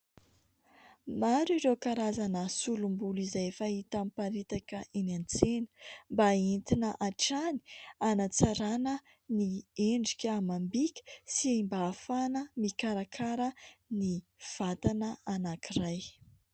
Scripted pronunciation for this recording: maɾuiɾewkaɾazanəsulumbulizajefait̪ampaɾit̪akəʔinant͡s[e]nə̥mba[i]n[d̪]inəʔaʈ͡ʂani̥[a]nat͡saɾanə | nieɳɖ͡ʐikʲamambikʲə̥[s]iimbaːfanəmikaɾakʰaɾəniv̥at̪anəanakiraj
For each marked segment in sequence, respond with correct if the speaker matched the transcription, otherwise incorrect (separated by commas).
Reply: correct, correct, incorrect, correct, correct